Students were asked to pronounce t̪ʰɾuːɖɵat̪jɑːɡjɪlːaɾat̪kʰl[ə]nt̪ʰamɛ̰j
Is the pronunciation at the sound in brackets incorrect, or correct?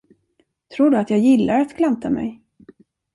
incorrect